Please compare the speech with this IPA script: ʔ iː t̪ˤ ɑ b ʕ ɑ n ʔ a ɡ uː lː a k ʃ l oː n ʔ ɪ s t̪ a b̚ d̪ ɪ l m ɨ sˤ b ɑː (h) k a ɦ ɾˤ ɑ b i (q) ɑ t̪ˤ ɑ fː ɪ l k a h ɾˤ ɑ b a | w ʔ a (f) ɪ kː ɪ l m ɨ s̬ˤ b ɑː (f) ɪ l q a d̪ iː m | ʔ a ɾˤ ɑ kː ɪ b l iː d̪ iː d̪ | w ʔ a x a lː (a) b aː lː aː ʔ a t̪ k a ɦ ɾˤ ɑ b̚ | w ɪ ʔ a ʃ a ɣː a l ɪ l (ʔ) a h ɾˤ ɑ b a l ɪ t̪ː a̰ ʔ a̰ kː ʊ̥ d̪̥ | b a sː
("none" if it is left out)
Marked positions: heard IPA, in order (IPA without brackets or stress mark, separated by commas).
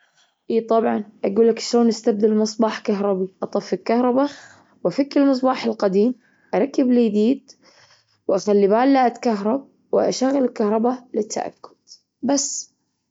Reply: ħ, ʔ, f, ħ, i, k